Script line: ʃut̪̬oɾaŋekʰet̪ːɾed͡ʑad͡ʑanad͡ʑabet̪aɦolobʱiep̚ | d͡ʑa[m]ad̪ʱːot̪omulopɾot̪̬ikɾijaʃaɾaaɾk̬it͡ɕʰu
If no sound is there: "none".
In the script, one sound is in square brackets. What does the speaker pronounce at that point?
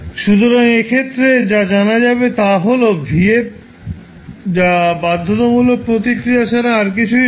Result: b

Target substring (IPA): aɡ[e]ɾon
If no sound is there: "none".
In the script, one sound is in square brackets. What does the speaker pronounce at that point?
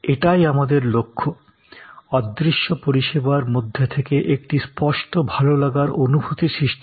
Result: a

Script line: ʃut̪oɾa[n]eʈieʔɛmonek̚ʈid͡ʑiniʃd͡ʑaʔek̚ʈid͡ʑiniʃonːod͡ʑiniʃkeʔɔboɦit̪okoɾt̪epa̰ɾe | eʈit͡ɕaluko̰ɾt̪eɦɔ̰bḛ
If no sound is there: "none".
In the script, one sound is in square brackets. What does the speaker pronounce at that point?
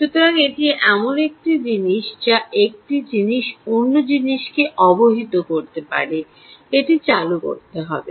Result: ŋ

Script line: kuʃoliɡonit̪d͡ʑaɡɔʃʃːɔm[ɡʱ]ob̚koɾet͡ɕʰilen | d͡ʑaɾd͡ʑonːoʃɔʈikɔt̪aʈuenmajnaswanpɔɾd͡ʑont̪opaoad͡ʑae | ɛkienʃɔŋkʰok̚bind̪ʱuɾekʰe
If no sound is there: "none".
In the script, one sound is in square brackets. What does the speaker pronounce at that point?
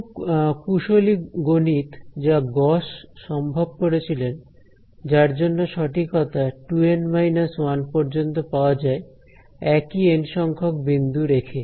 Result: bʱ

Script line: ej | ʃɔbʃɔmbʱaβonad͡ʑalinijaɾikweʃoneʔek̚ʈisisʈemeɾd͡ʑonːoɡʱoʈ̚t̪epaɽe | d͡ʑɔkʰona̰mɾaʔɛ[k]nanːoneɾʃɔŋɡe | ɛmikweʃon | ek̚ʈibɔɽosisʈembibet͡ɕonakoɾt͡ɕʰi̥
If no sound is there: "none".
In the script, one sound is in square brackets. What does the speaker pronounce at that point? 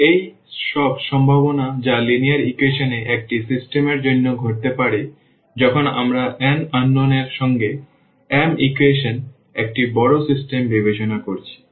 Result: none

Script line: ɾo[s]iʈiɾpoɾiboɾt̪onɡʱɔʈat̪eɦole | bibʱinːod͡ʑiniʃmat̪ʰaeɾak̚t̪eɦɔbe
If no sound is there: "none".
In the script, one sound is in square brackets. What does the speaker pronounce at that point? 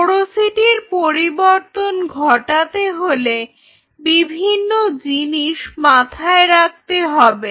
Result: s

